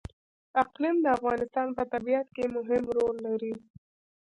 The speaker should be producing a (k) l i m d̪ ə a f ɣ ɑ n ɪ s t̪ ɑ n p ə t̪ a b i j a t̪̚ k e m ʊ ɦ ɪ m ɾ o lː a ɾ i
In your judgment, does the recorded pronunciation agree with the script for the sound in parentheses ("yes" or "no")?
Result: no